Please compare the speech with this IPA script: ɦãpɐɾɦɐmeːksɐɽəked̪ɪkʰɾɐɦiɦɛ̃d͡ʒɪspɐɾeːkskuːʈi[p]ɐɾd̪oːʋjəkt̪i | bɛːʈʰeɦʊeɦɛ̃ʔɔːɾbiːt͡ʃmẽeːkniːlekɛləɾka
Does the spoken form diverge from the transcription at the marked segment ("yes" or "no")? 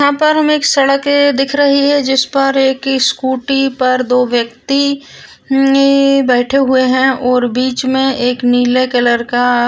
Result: no